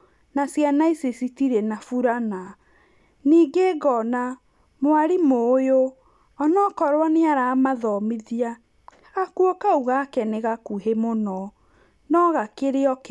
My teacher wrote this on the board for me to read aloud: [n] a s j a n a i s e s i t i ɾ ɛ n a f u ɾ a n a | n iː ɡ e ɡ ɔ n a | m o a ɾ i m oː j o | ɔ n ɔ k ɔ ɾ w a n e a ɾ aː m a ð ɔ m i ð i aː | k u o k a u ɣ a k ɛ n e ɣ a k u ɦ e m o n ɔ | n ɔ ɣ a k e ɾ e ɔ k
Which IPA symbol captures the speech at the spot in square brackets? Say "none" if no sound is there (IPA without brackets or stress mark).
n